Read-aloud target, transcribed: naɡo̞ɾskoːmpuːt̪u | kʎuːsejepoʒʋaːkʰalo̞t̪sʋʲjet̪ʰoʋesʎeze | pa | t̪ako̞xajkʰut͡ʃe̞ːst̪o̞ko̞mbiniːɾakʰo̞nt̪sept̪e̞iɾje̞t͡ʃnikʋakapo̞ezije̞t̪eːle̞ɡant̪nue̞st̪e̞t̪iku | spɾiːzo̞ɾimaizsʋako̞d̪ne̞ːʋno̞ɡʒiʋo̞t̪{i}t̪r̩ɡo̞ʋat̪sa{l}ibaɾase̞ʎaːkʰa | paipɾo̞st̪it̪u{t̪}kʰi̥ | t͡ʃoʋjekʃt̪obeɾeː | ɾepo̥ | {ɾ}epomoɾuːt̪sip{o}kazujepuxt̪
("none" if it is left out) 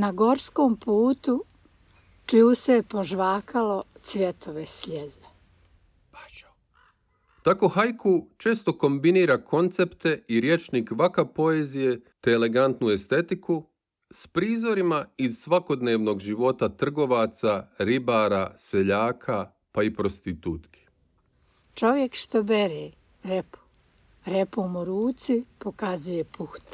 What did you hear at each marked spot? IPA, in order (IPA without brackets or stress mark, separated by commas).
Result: a, ɾ, t̪, ɾ, o